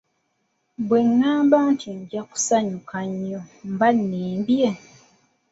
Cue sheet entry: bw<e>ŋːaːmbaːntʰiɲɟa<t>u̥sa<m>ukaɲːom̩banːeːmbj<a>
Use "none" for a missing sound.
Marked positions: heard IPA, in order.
e, k, ɲ, e

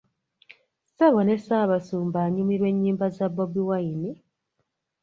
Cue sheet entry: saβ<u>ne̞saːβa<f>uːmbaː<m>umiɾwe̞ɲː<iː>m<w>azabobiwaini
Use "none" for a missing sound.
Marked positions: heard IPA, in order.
o, s, ɲ, iː, b

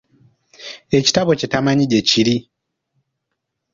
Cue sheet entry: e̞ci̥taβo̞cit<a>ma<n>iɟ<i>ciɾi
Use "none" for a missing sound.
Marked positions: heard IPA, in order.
a, ɲ, e

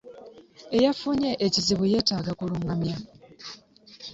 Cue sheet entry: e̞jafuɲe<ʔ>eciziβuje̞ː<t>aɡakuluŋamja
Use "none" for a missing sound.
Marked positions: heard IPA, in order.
ʔ, t

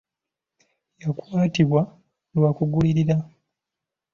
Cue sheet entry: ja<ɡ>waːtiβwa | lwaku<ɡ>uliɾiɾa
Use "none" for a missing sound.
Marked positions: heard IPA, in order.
k, ɡ

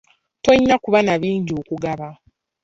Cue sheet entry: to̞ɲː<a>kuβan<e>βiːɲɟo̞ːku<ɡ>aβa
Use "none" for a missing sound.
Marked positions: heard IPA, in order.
a, a, ɡ

